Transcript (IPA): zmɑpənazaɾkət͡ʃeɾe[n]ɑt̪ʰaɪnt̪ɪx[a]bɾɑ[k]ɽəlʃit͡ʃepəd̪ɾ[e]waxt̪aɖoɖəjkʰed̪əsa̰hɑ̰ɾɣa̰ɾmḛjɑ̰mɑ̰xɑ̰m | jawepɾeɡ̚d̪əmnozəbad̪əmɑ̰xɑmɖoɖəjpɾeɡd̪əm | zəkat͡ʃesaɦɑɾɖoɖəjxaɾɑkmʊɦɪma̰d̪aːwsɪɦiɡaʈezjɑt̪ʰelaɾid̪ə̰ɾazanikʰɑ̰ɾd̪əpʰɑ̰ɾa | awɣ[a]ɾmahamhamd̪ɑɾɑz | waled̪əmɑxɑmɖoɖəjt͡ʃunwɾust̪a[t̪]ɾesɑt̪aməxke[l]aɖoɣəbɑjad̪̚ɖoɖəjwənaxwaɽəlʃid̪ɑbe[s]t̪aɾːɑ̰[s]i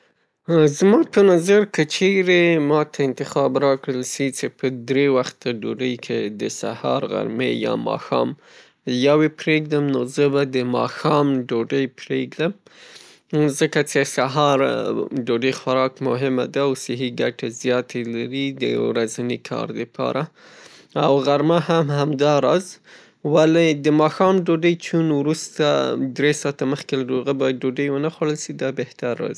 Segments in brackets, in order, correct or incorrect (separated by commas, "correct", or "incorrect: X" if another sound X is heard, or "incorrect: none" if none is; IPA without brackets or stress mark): incorrect: m, incorrect: ɑ, correct, correct, correct, incorrect: d̪, correct, incorrect: h, incorrect: z